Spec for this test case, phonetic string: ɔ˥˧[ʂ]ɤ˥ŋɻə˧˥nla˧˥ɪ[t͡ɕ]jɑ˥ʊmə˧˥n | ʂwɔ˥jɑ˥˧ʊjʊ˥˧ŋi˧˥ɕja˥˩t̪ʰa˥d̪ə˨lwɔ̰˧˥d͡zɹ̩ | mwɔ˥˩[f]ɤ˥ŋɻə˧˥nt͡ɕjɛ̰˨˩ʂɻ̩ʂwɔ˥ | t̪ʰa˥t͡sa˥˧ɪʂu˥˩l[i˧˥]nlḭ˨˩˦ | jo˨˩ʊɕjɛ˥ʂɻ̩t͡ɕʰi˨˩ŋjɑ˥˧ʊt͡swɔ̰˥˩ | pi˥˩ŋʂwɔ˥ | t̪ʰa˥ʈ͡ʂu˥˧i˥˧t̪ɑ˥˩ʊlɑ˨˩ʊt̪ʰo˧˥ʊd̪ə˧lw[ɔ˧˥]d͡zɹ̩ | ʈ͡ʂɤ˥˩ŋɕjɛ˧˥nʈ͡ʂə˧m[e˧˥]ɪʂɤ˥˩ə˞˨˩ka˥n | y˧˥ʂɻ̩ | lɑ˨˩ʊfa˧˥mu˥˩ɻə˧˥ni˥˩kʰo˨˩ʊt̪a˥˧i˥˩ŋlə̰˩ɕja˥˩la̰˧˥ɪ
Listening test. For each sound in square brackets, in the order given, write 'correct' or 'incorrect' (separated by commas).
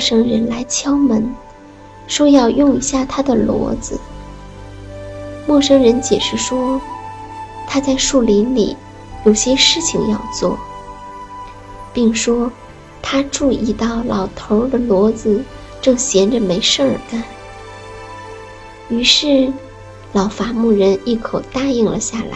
correct, incorrect, incorrect, correct, correct, correct